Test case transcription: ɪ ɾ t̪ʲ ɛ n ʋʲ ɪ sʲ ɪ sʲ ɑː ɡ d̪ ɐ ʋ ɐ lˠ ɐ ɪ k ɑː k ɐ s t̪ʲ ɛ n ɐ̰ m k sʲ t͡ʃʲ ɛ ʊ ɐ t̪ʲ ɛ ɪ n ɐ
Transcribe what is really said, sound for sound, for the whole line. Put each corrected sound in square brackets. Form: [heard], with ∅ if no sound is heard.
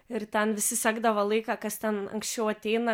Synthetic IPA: ɪ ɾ t̪ʲ ɛ n ʋʲ ɪ sʲ ɪ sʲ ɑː ɡ d̪ ɐ ʋ ɐ lˠ ɐ ɪ k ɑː k ɐ s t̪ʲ ɛ n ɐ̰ [ŋ] k sʲ t͡ʃʲ ɛ ʊ ɐ t̪ʲ ɛ ɪ n ɐ